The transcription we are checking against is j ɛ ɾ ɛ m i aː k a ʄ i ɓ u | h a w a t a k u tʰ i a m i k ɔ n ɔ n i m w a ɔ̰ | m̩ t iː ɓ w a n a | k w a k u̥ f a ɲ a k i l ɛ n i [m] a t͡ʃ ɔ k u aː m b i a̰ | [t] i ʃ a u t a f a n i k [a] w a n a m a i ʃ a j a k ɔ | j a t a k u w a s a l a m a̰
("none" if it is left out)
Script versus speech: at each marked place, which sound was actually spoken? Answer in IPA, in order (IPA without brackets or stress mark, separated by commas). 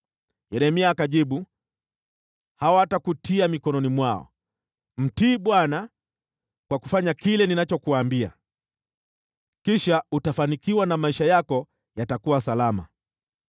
n, k, i